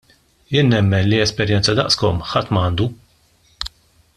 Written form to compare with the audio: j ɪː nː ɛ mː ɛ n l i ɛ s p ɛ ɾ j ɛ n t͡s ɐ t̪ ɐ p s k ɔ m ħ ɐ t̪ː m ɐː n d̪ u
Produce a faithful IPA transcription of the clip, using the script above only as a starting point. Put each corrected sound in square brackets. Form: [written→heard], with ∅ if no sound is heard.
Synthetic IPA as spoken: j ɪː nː ɛ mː ɛ n l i ɛ s p ɛ ɾ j ɛ n t͡s ɐ [t̪→d̪] ɐ [p→ʔ] s k ɔ m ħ ɐ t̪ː m ɐː n d̪ u